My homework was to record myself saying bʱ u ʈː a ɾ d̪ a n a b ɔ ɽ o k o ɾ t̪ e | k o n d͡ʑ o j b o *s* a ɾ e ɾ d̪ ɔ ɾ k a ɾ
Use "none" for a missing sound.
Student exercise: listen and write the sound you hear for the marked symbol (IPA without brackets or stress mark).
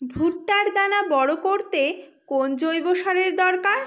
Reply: ʃ